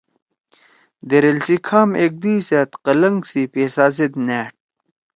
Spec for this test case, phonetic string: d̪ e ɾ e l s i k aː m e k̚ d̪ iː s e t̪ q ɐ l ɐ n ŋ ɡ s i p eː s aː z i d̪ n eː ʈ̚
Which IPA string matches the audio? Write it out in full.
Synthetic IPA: d̪ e ɾ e l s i kʰ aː m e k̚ d̪ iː s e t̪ q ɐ l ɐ ŋ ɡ s i p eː s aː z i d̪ n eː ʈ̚